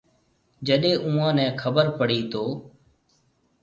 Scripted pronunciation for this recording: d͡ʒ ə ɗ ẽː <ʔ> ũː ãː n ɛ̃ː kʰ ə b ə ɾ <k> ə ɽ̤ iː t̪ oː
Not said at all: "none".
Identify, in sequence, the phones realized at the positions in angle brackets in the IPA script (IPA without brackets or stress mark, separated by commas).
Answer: ʔ, p